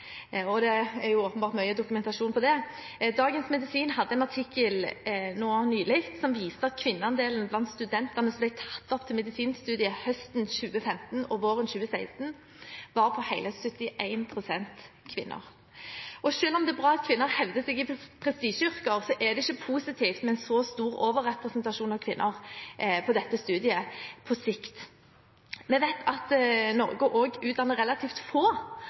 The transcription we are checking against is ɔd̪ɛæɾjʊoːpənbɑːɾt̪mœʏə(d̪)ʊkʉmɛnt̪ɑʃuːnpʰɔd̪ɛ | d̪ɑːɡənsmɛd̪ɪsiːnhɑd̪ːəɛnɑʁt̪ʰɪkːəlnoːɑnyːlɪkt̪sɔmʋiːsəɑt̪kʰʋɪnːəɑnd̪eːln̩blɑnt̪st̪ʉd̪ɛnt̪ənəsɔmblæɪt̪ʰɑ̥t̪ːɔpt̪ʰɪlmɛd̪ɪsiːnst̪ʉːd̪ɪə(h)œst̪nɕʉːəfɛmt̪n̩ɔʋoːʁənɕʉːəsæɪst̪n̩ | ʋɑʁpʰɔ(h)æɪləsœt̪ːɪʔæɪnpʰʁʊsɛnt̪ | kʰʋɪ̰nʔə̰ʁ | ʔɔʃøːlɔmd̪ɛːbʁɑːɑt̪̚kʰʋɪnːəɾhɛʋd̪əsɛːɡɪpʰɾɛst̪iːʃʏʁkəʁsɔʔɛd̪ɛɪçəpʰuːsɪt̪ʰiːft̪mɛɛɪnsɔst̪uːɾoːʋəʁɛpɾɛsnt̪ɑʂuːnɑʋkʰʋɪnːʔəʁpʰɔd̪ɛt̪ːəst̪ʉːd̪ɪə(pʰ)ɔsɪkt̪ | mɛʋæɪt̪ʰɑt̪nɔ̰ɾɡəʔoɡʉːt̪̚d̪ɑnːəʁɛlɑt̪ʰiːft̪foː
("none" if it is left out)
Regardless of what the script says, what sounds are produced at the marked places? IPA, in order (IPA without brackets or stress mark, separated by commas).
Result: d̪, h, h, pʰ